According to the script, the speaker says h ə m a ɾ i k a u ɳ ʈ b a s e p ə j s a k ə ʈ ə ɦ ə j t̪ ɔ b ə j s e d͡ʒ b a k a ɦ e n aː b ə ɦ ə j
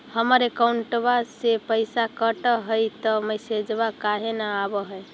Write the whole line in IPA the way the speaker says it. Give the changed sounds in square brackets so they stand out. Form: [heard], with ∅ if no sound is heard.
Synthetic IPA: h ə m [ə] ɾ [e] k a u ɳ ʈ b a s e p ə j s a k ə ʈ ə ɦ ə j t̪ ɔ [m] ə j s e d͡ʒ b a k a ɦ e n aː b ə ɦ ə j